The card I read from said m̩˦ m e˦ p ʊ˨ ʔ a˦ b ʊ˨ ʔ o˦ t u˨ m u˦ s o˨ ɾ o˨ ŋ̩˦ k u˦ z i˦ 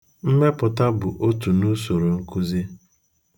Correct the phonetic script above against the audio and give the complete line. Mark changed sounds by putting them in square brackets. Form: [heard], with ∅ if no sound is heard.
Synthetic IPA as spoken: m̩˦ m e˦ p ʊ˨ [t] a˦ b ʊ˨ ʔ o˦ t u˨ [n] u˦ s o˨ ɾ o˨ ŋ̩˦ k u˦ z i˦